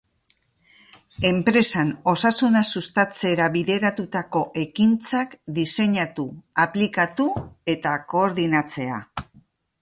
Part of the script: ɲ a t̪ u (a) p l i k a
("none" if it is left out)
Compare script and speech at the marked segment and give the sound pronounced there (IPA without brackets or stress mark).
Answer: a